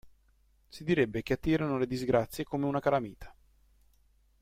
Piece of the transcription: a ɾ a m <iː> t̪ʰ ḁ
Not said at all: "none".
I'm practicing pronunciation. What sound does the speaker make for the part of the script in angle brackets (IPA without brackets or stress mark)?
iː